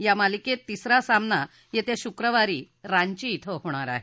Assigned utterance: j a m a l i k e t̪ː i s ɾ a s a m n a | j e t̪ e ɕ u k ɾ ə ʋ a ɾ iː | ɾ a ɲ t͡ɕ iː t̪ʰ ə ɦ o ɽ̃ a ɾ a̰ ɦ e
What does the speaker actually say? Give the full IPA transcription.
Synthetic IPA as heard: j a m a l i k e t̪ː i s ɾ a s a m n a | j e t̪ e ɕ u k ɾ ə ʋ a ɾ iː | ɾ a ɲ t͡ɕ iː t̪ʰ ə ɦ o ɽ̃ a ɾ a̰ ɦ e